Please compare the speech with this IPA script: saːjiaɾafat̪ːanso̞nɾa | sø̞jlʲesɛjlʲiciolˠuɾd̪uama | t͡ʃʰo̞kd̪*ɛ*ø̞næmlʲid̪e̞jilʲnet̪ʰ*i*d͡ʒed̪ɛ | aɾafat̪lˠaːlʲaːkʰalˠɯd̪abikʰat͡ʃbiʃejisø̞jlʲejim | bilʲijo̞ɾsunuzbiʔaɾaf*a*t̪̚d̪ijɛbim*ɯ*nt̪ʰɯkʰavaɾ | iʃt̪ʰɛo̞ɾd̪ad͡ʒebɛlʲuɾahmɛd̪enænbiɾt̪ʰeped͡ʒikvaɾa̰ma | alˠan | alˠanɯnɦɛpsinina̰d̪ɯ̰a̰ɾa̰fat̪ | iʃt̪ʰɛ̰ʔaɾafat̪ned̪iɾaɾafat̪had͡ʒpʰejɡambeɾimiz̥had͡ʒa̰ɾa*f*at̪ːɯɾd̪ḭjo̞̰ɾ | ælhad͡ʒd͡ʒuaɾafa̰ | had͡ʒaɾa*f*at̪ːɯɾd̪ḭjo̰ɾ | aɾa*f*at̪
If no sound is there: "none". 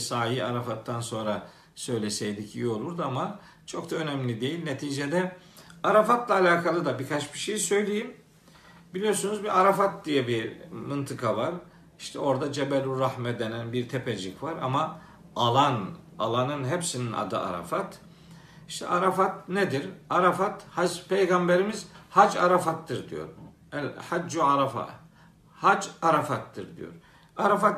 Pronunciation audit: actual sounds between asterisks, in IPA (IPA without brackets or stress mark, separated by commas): a, iː, a, ɯ, f, f, f